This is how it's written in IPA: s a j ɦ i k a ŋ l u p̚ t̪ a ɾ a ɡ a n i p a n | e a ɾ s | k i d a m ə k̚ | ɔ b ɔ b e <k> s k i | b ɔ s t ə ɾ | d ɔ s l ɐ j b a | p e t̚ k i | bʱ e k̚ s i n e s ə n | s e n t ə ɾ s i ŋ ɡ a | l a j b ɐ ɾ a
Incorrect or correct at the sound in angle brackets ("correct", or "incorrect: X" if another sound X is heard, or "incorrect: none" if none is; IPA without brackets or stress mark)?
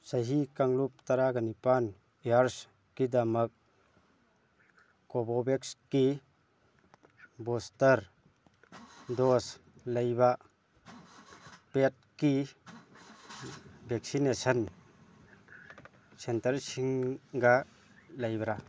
correct